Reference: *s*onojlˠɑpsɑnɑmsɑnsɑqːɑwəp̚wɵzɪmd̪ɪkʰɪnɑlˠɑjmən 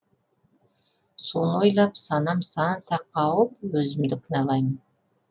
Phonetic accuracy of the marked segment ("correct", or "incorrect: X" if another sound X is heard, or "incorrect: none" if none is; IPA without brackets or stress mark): correct